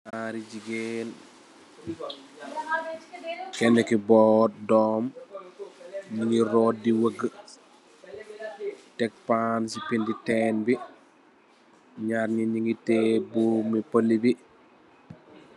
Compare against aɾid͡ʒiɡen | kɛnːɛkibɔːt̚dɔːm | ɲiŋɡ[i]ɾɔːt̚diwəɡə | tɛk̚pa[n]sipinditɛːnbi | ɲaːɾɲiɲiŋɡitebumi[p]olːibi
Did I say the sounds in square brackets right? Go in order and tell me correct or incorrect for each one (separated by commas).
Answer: correct, correct, correct